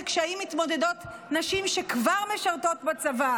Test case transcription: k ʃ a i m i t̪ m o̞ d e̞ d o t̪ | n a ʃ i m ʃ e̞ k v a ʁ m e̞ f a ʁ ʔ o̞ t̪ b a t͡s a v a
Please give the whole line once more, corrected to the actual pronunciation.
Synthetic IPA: k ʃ a i m i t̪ m o̞ d e̞ d o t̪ | n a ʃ i m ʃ e̞ k v a ʁ m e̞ ʃ a ʁ t o̞ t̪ b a t͡s a v a